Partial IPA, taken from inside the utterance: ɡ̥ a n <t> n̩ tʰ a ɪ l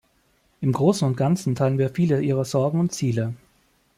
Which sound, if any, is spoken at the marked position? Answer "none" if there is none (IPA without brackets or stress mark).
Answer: t͡s